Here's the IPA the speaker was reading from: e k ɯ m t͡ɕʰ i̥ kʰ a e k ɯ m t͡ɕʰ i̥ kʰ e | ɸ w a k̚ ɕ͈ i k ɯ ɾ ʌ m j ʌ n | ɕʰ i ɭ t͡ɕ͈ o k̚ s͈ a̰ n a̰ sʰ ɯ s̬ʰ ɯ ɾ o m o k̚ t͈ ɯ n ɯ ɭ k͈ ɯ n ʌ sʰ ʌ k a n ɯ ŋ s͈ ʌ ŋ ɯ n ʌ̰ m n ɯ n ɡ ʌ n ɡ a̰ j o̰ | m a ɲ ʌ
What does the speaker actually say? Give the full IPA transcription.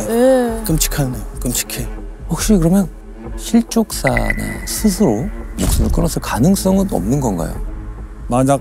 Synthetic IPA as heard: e k ɯ m t͡ɕʰ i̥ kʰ a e k ɯ m t͡ɕʰ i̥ kʰ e | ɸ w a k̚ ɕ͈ i k ɯ ɾ ʌ m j ʌ n | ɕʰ i ɭ t͡ɕ͈ o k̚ s͈ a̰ n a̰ sʰ ɯ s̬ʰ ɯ ɾ o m o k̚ s͈ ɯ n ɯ ɭ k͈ ɯ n ʌ sʰ ʌ k a n ɯ ŋ s͈ ʌ ŋ ɯ n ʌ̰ m n ɯ n ɡ ʌ n ɡ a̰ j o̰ | m a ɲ a